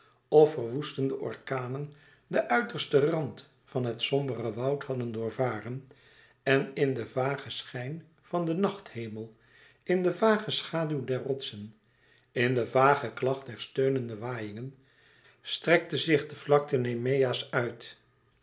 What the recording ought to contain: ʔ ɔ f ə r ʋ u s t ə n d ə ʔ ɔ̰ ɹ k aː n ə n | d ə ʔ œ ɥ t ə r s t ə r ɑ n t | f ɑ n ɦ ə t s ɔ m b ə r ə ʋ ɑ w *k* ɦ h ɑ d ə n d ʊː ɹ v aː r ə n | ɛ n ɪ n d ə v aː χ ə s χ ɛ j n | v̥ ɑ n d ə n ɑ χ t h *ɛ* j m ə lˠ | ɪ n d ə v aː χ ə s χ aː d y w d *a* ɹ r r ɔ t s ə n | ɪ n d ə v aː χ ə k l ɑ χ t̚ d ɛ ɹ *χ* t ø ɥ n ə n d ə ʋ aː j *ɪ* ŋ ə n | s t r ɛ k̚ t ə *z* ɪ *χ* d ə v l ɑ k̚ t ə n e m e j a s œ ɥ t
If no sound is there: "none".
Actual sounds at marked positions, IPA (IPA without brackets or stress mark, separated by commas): t, e, ɛ, s, ɪ, z, χ